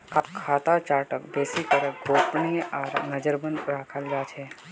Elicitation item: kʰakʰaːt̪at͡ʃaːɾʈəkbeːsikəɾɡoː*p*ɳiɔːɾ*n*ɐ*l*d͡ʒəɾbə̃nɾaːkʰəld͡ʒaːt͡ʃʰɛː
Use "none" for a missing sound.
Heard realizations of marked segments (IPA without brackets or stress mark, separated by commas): p, n, none